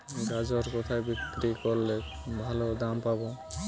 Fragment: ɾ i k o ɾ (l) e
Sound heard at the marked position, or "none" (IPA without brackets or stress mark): l